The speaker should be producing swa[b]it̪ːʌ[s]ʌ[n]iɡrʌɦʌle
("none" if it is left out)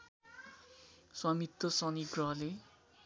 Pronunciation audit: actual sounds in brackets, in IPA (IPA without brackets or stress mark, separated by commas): m, s, n